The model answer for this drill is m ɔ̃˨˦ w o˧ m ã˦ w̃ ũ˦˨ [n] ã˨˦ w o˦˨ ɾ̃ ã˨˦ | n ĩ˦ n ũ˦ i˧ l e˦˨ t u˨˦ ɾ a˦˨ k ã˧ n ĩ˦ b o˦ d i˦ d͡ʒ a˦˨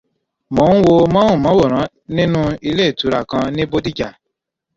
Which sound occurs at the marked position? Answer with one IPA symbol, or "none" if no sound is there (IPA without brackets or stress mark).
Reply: m